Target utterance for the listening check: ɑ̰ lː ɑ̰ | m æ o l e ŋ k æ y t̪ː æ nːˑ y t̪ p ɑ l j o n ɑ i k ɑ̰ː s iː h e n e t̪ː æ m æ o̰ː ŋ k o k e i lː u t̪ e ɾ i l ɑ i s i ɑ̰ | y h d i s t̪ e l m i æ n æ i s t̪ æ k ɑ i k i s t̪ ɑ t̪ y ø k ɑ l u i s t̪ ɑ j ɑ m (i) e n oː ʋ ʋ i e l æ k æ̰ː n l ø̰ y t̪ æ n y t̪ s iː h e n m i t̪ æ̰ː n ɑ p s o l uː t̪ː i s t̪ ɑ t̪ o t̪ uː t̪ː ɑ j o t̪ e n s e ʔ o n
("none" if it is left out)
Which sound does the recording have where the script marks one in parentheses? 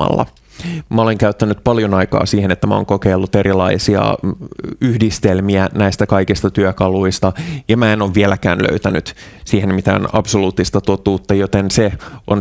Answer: æ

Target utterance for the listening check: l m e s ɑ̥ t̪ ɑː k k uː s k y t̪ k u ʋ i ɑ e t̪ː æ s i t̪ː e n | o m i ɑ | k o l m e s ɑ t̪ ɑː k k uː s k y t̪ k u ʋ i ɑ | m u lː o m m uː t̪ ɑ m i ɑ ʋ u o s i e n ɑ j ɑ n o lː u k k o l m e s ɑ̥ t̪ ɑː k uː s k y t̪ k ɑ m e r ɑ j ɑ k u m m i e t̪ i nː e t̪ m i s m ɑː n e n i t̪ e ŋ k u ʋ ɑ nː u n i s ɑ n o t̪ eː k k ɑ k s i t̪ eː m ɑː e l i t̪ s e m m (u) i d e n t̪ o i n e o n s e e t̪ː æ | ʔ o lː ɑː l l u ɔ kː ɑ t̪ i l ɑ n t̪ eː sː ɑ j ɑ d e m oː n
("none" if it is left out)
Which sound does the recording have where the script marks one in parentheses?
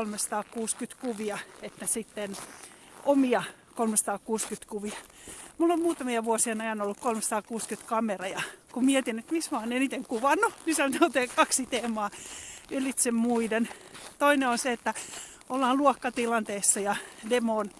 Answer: u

